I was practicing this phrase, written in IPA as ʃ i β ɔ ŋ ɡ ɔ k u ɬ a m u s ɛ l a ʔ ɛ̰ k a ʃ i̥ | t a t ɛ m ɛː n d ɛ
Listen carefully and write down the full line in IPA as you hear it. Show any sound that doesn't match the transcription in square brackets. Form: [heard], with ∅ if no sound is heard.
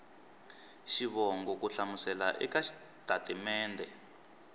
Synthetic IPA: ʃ i β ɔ ŋ ɡ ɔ k u ɬ a m u s ɛ l a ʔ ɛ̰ k a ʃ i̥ | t a t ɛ m ɛː n d ɛ